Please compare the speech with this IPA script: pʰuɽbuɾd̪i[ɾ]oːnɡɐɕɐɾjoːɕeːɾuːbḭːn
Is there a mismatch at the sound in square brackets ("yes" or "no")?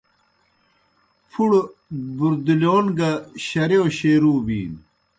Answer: yes